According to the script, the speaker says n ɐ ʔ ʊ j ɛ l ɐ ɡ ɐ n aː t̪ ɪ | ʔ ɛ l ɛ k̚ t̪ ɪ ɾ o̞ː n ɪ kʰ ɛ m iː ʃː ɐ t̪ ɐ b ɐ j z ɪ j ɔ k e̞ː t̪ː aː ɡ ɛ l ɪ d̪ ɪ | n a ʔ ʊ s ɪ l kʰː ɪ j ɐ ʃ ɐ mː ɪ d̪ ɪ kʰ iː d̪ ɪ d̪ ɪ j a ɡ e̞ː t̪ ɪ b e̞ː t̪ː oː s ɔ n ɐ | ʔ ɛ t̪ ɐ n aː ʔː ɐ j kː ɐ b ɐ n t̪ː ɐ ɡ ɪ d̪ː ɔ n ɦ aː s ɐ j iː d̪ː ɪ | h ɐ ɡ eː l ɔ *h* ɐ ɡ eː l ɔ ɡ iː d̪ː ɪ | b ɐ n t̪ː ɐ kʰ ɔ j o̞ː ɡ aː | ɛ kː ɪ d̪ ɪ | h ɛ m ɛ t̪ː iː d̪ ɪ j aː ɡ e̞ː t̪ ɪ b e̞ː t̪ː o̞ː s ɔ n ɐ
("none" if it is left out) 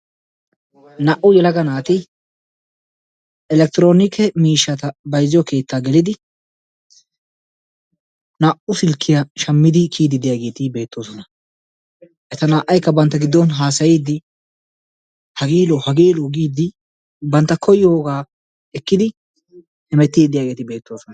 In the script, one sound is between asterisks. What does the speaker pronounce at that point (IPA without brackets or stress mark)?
h